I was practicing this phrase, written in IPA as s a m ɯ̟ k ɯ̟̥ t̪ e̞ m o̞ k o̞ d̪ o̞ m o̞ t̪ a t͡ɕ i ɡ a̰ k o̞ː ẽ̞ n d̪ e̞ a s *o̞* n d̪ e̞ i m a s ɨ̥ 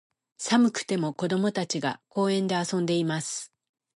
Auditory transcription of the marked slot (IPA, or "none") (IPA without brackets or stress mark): õ̞